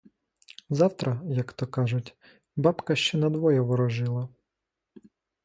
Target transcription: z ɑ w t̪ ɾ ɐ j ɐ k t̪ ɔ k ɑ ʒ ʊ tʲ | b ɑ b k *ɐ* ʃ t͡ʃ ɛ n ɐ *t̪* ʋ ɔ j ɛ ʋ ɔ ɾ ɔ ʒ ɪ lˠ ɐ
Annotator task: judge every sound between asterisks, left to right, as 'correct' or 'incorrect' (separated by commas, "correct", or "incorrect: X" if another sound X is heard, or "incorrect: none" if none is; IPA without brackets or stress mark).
correct, incorrect: d̪